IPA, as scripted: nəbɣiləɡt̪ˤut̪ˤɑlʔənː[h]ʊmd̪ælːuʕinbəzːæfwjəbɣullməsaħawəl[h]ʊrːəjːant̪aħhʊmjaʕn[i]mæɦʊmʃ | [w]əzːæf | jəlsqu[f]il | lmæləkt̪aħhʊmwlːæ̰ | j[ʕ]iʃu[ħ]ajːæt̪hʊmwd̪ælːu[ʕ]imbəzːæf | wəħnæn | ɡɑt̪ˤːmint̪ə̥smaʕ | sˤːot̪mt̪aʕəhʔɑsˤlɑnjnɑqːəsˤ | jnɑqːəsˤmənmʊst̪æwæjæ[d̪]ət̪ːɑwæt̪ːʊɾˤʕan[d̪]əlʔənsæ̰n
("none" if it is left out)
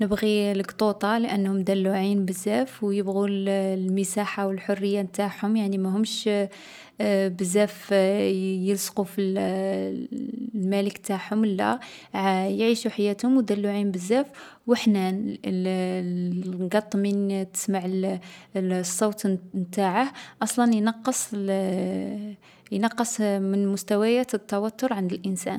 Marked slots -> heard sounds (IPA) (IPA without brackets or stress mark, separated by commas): h, ħ, i, b, f, ʕ, ħ, ʕ, t̪, d̪